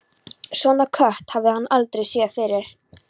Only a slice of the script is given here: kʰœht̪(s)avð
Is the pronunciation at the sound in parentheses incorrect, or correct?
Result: incorrect